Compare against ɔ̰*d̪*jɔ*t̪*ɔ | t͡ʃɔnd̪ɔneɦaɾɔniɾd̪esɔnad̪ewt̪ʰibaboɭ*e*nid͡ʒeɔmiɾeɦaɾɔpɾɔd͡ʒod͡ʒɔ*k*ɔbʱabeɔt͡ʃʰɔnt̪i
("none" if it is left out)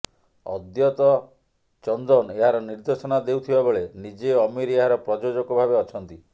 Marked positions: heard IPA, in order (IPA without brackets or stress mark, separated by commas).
d̪, t̪, e, k